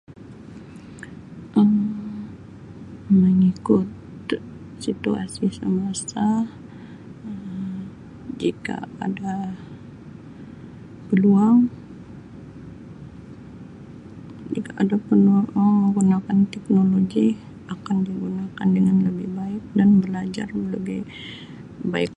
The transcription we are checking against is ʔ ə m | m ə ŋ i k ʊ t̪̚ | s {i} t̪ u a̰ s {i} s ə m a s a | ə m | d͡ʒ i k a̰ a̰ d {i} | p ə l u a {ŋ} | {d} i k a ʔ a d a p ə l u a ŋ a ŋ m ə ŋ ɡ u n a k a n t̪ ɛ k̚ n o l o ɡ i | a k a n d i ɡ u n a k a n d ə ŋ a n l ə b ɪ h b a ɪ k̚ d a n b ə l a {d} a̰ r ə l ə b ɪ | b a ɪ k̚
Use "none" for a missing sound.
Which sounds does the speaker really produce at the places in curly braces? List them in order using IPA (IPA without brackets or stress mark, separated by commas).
i, i, a, ŋ, d͡ʒ, d͡ʒ